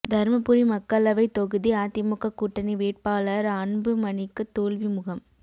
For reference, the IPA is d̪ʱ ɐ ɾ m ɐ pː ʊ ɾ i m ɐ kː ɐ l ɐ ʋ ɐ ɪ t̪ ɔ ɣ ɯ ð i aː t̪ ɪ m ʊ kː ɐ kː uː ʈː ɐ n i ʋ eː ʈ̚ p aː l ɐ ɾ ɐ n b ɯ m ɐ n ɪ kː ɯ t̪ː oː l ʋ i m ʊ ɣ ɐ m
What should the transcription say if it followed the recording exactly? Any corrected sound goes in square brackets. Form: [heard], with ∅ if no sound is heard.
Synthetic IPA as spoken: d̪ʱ ɐ ɾ m ɐ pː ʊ ɾ i m ɐ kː ɐ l ɐ ʋ ɐ ɪ t̪ ɔ ɣ ɯ ð i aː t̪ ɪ m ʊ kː ɐ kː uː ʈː ɐ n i ʋ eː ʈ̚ p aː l ɐ ɾ ɐ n b ɯ m ɐ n ɪ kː ɯ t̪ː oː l ʋ i m ʊ ɣ ɐ m